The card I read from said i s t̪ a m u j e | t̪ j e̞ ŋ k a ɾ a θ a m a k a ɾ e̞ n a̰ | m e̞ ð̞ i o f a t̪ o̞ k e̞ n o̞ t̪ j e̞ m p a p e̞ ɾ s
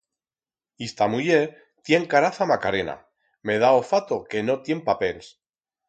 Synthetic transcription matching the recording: i s t̪ a m u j e | t̪ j e̞ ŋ k a ɾ a θ a m a k a ɾ e̞ n a̰ | m e̞ ð̞ a o f a t̪ o̞ k e̞ n o̞ t̪ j e̞ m p a p e̞ l s